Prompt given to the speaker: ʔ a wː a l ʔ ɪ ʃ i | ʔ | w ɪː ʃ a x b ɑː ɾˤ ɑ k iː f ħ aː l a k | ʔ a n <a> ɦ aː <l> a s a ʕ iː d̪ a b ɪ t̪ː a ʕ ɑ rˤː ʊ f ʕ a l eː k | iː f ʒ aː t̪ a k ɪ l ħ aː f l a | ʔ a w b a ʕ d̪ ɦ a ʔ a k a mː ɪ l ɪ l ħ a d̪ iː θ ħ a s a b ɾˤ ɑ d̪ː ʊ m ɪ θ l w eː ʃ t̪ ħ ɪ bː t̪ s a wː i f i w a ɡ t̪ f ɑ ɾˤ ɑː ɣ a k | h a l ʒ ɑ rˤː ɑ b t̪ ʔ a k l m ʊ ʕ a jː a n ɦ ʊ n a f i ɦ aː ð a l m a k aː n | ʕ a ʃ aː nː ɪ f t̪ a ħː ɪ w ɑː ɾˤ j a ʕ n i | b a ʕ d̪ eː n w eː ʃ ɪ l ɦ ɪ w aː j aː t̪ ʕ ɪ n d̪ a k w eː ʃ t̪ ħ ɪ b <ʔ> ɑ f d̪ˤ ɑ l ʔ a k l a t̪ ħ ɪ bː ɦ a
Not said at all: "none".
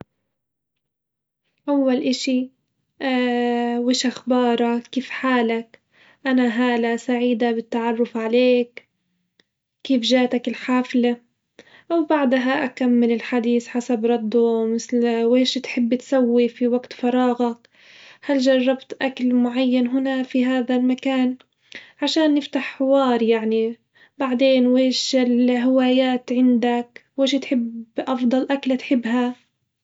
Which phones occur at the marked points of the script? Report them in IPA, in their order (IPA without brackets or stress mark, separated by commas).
a, l, ʔ